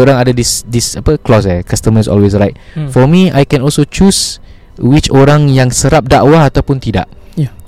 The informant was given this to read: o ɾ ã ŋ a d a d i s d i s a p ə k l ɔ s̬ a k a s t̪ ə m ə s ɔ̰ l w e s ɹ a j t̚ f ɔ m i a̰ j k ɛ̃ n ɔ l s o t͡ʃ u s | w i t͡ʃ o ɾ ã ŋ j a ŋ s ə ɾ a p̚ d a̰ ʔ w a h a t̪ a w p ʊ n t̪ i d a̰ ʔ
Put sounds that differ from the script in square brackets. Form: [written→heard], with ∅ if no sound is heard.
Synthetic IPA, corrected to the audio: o ɾ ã ŋ a d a d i s d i s a p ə k l ɔ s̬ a k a s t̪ ə m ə s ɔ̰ l w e s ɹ a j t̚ f ɔ m i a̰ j k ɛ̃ n ɔ l s o t͡ʃ u s | w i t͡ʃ o ɾ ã ŋ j a ŋ s ə ɾ a p̚ d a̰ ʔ w a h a t̪ a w p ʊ n t̪ i d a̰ ʔ